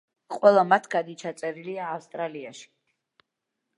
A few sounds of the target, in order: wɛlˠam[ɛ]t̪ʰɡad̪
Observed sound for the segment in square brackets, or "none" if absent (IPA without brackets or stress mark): a